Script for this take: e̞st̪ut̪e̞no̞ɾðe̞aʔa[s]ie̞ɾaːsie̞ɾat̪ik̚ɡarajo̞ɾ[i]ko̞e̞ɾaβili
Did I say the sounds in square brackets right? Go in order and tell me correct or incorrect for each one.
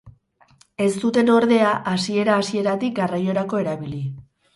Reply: correct, incorrect: a

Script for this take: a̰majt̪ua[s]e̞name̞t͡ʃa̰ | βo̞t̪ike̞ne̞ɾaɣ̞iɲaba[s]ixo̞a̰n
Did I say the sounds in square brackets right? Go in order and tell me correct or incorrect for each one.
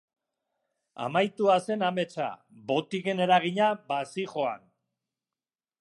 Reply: correct, correct

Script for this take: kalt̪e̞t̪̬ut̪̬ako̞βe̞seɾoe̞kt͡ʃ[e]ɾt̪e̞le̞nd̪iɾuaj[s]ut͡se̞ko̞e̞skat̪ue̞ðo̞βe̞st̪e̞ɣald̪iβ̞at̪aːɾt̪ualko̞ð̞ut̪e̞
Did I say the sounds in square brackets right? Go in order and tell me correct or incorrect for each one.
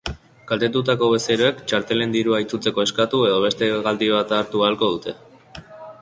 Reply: incorrect: a, incorrect: t͡s

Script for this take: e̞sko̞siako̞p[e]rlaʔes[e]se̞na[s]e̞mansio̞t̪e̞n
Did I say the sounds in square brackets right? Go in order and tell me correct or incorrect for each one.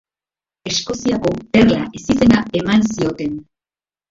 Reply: correct, incorrect: i, incorrect: none

